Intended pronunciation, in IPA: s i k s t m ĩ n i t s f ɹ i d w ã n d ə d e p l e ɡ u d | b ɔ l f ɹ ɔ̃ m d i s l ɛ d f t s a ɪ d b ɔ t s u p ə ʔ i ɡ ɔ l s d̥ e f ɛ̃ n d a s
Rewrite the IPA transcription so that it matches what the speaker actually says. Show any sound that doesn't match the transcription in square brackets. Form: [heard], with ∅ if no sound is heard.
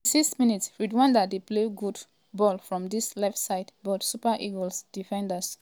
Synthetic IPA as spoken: s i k s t m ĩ n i t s f ɹ i d w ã n d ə d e p l e ɡ u d | b ɔ l f ɹ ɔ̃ m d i s l ɛ [∅] f t s a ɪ d b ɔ t s u p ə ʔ i ɡ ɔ l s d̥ [i] f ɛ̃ n d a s